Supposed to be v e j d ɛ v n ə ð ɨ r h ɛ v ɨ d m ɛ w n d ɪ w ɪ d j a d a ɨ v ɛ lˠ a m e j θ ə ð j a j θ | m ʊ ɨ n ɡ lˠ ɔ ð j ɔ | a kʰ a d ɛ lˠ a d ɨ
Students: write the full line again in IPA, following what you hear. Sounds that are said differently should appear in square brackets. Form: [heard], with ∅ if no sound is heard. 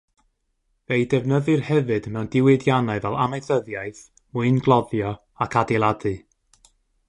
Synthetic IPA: v e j d ɛ v n ə ð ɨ r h ɛ v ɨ d m ɛ w n d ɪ w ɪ d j a [n] a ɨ v ɛ lˠ a m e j θ ə ð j a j θ | m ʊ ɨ n ɡ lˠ ɔ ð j ɔ | a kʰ a d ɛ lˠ a d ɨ